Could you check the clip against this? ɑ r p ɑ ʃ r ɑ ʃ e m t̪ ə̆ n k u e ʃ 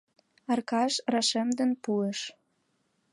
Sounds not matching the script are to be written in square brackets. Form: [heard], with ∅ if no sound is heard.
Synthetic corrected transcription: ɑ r [k] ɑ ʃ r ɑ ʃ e m [d̪] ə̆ n [p] u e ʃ

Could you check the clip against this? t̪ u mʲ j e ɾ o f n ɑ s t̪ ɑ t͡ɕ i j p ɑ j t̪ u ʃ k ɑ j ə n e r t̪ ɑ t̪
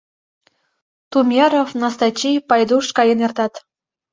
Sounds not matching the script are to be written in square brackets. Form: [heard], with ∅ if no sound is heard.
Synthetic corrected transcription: t̪ u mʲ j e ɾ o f n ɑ s t̪ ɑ t͡ɕ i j p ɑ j [d̪] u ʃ k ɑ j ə n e r t̪ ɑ t̪

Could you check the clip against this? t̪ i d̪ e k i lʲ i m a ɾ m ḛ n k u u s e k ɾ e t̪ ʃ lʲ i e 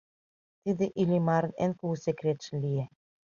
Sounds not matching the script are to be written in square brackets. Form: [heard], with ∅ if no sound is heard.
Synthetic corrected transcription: t̪ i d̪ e [ʔ] i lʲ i m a ɾ [n] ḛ n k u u s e k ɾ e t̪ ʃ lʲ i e

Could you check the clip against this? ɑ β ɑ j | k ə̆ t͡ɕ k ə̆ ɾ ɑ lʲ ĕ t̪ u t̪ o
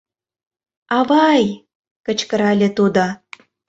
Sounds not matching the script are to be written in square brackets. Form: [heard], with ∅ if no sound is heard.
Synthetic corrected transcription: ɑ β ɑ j | k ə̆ t͡ɕ k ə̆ ɾ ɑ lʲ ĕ t̪ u [d̪] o

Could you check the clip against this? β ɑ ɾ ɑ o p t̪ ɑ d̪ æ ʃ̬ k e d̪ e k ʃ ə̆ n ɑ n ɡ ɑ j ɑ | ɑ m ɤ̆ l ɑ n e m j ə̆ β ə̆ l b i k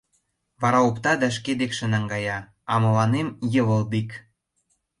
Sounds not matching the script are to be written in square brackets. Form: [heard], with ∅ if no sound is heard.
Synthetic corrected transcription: β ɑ ɾ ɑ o p t̪ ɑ d̪ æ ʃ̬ k e d̪ e k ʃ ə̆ n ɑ [ŋ] ɡ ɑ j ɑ | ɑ m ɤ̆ l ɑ n e m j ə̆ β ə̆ l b i k

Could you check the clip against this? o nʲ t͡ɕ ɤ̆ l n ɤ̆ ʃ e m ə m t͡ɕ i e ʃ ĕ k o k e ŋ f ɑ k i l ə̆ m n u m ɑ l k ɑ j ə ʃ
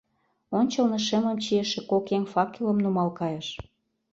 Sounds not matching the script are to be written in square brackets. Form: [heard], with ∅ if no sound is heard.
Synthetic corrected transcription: o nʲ t͡ɕ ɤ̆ l n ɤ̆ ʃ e m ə m t͡ɕ i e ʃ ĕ k o k e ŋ f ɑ k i l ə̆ m n u m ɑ l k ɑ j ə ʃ

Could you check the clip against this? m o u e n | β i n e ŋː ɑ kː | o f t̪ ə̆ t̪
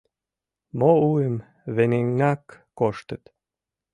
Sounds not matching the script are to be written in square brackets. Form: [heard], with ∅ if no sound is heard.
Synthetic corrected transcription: m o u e [m] | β [e] n e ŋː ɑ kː | o [ʃ] t̪ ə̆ t̪

